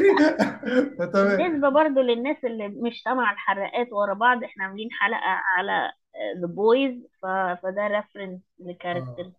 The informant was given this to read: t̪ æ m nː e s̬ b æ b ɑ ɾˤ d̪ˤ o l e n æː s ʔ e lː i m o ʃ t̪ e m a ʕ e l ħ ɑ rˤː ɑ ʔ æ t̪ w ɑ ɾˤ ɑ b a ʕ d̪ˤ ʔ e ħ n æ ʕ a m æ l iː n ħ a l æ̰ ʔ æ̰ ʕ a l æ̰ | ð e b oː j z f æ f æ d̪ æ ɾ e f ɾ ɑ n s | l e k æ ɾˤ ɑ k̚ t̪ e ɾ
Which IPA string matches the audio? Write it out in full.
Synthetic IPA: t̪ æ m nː e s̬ b æ b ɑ ɾˤ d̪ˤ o l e nː æː s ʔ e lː i m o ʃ t̪ æ m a ʕ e l ħ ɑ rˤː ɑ ʔ æː t̪ w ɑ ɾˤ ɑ b ɑ ʕ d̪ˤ ʔ e ħ n æ ʕ a m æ l iː n ħ a l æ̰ ʔ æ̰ ʕ a l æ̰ | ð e b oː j z f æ f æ d̪ æ ɾ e f ɾ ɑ n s | l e k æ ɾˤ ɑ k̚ t̪ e ɾ